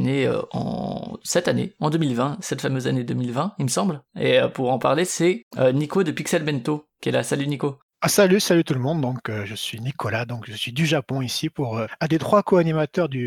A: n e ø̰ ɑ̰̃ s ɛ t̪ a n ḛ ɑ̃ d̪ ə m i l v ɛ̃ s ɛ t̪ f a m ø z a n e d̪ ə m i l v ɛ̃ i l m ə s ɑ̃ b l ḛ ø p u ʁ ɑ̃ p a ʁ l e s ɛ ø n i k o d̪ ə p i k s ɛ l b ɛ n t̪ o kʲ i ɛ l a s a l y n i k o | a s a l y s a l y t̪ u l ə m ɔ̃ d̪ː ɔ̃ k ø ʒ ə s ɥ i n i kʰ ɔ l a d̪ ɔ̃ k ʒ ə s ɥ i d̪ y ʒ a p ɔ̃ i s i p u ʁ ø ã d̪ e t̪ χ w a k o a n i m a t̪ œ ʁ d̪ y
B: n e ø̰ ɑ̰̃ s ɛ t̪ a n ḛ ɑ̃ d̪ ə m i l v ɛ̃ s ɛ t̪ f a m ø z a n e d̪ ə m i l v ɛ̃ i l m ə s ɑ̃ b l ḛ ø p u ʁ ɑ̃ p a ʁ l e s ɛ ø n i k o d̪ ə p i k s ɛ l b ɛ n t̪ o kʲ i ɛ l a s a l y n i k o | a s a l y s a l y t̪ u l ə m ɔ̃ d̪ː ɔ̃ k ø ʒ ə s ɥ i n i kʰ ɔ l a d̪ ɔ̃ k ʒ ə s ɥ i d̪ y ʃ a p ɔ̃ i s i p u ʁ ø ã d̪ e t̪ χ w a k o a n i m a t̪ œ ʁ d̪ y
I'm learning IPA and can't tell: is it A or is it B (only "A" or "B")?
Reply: A